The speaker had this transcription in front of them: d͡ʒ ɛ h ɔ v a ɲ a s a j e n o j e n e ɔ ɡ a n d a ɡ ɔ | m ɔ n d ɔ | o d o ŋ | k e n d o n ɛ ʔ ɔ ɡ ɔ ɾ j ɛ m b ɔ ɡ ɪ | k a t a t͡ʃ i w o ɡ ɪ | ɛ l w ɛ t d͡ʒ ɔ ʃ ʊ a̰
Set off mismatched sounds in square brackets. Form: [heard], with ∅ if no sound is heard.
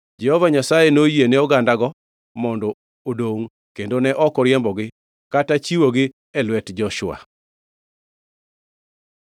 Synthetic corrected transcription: d͡ʒ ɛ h ɔ v a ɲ a s a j e n o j e n e ɔ ɡ a n d a ɡ ɔ | m ɔ n d ɔ | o d o ŋ | k e n d o n ɛ ʔ ɔ [k] ɔ ɾ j ɛ m b ɔ ɡ ɪ | k a t a t͡ʃ i w o ɡ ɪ | ɛ l w ɛ t d͡ʒ ɔ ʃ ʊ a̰